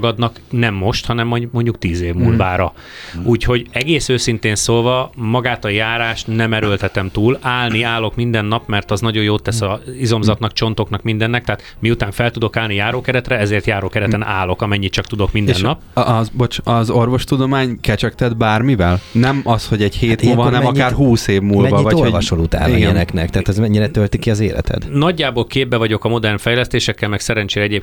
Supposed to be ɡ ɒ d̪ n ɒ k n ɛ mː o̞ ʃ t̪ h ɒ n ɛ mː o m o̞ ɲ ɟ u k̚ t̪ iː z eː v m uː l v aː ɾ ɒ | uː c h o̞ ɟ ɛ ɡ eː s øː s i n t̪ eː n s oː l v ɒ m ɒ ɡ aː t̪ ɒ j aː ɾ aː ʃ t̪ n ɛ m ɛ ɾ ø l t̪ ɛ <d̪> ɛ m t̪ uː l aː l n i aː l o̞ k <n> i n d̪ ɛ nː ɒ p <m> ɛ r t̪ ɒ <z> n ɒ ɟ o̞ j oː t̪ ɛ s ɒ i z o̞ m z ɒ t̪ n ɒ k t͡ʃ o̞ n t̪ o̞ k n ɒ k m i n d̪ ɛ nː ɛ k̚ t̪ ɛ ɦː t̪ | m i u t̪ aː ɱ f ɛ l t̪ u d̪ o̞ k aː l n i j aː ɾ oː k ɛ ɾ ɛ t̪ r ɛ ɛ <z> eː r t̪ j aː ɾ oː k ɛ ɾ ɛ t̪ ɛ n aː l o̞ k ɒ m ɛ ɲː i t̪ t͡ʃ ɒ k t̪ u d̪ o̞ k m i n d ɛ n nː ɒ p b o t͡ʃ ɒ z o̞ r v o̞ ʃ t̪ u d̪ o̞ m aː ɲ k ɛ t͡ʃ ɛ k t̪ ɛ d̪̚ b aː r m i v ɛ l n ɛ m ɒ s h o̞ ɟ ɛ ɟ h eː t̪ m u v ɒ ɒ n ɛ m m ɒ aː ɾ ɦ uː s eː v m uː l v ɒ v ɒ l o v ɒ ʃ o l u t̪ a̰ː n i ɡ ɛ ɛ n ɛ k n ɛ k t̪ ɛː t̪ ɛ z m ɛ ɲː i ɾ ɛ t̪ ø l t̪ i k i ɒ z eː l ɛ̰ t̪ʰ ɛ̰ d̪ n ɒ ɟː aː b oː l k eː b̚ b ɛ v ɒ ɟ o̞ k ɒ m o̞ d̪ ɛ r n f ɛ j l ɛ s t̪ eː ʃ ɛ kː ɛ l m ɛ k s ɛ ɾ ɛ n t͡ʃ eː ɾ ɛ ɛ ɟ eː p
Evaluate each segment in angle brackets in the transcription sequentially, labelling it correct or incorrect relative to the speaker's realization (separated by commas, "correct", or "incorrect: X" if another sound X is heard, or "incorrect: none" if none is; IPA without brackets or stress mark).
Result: incorrect: t̪, incorrect: m, correct, correct, correct